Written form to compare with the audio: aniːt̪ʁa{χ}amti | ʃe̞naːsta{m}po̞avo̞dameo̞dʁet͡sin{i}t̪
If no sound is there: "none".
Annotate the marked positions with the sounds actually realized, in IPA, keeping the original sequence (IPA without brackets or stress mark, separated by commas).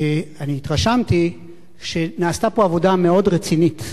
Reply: ʃ, none, i